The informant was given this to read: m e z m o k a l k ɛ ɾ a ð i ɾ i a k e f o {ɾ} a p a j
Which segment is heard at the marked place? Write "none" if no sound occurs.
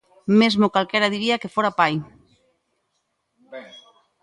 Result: ɾ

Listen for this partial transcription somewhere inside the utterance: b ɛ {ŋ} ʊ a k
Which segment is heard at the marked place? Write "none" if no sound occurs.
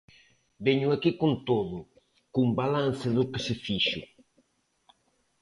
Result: ɲ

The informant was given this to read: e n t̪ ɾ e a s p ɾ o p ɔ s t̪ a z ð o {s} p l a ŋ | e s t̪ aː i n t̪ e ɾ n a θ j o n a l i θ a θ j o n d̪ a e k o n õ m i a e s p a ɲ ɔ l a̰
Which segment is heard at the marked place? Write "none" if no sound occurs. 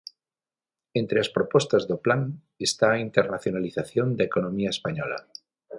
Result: none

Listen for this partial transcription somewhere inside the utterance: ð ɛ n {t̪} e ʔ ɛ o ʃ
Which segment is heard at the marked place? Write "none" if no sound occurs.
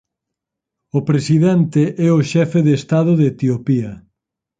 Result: t̪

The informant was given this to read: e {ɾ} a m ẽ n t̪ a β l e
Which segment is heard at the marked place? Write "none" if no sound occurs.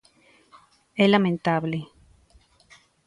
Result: l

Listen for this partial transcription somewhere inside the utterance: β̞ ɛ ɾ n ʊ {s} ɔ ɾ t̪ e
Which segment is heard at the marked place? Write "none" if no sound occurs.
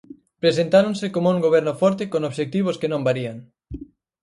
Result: f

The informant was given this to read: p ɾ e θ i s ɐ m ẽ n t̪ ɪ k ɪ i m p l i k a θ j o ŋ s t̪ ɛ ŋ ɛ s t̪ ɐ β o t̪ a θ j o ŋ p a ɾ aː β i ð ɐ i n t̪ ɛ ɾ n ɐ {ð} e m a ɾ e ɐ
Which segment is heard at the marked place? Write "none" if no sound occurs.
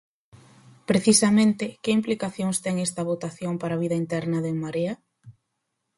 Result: ð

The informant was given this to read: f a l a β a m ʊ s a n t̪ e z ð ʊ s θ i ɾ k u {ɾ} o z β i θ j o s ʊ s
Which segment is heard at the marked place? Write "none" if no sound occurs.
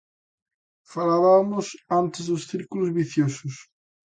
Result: l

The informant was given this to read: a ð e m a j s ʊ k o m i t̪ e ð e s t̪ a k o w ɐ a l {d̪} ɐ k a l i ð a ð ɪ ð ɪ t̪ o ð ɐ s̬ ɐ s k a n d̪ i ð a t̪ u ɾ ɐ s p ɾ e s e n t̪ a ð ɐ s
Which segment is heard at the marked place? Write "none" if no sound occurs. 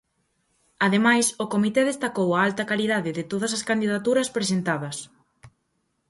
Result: t̪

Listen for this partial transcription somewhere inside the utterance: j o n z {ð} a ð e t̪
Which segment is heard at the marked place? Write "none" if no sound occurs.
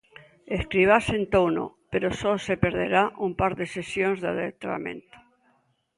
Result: ð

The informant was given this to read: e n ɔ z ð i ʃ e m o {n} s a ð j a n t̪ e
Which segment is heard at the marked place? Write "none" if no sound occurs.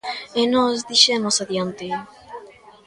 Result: none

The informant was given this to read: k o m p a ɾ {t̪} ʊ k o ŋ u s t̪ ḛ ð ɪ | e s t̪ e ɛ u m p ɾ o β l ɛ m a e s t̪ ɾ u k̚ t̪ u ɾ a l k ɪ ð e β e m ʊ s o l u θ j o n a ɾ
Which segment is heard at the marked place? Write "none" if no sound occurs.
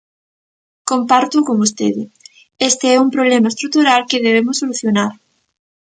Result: t̪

